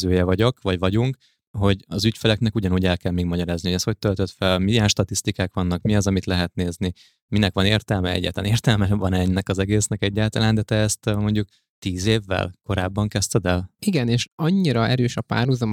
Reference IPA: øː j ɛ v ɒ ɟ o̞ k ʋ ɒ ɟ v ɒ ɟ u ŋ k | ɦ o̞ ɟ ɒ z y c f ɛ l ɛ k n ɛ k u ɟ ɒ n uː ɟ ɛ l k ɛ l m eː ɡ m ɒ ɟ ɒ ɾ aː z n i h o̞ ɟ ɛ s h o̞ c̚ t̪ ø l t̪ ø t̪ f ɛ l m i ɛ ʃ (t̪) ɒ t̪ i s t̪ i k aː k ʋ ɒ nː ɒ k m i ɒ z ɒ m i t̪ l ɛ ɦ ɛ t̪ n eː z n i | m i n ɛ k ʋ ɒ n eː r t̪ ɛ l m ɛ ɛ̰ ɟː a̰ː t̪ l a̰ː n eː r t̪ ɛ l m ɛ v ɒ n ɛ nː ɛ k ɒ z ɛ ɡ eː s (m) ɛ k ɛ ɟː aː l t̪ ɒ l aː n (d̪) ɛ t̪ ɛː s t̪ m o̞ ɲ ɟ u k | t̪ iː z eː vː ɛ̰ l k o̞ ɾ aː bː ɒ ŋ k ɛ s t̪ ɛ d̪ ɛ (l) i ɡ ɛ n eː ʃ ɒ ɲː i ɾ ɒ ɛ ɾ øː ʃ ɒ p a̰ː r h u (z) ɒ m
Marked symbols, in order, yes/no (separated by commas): yes, no, yes, yes, yes